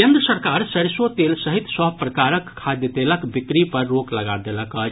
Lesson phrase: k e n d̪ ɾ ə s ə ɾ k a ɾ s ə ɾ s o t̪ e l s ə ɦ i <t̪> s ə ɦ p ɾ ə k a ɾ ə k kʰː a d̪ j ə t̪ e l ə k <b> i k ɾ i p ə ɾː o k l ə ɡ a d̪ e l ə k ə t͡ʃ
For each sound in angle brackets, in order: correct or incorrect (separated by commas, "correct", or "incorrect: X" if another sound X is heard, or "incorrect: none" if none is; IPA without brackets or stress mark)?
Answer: correct, correct